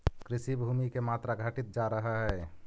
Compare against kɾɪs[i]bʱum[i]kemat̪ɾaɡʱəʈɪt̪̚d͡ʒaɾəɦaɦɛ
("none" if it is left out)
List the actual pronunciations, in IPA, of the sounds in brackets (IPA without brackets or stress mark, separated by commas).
i, i